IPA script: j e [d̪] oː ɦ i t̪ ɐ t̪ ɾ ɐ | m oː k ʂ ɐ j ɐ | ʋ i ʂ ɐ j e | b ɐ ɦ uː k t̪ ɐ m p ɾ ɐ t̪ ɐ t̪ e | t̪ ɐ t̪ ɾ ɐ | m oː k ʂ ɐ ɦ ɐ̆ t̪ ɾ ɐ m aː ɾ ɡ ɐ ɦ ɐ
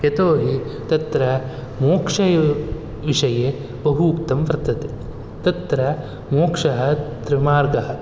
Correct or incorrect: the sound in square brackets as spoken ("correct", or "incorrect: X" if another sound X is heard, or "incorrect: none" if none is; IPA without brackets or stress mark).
incorrect: t̪